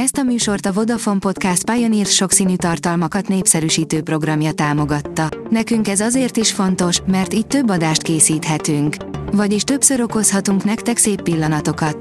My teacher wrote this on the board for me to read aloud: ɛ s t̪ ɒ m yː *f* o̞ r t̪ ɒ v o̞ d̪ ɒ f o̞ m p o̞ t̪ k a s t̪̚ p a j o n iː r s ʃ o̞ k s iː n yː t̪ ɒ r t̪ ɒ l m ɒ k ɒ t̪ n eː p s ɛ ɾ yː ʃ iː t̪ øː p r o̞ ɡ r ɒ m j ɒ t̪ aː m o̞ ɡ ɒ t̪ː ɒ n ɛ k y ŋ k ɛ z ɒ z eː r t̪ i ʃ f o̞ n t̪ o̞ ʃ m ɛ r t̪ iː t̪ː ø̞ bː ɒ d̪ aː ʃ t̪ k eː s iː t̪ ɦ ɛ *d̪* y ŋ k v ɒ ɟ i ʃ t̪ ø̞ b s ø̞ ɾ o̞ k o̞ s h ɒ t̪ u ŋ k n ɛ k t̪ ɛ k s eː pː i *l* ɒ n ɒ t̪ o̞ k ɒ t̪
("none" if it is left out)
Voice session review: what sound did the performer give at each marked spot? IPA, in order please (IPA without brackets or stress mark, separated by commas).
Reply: ʃ, t̪, lː